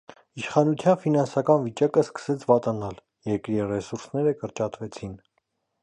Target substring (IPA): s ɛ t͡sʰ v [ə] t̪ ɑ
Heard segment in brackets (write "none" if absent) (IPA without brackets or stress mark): ɑ